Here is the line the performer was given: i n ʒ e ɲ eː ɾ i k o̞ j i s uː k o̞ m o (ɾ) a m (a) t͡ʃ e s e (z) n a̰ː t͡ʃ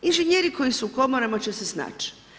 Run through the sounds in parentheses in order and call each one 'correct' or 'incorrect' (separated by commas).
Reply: correct, correct, incorrect